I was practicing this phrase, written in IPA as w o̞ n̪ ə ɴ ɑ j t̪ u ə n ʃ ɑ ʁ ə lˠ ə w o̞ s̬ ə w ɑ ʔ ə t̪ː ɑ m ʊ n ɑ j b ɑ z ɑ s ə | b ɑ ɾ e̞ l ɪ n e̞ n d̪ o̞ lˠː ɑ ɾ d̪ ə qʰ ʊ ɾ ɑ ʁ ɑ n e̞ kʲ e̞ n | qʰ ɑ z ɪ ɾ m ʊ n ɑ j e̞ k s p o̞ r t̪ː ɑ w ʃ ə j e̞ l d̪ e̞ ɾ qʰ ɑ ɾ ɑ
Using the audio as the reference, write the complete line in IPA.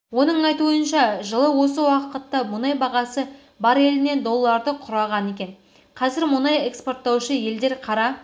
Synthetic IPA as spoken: w o̞ n̪ ə ɴ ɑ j t̪ u ə n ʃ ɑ ʒ ə lˠ ə w o̞ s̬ ə w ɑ q ə t̪ː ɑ m ʊ n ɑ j b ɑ ʁ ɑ s ə | b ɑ ɾ e̞ l ɪ n e̞ n d̪ o̞ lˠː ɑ ɾ d̪ ə qʰ ʊ ɾ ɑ ʁ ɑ n e̞ kʲ e̞ n | qʰ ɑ z ɪ ɾ m ʊ n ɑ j e̞ k s p o̞ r t̪ː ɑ w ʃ ə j e̞ l d̪ e̞ ɾ qʰ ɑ ɾ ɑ